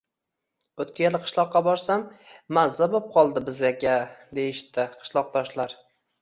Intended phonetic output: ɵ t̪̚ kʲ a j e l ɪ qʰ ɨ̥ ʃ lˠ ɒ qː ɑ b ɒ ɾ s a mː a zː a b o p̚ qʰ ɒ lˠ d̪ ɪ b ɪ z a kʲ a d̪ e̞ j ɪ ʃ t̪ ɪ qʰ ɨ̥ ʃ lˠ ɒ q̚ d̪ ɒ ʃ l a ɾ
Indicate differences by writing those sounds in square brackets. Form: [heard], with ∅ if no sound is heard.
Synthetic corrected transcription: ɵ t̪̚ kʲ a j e l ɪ qʰ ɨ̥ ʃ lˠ ɒ qː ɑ b ɒ ɾ s a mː a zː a b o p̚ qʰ ɒ lˠ d̪ ɪ b ɪ z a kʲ a d̪ e̞ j ɪ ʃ t̪ ɪ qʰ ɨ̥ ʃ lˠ ɒ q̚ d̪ ɒ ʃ l a ɾ